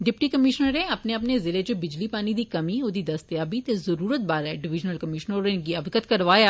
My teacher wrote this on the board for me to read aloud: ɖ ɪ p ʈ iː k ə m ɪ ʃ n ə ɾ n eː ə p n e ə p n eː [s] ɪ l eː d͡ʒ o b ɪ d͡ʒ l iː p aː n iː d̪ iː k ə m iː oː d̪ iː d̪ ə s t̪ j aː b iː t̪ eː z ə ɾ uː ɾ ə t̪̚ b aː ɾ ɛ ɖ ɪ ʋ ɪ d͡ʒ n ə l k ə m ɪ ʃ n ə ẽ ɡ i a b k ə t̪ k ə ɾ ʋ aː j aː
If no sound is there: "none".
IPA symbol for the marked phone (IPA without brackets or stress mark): z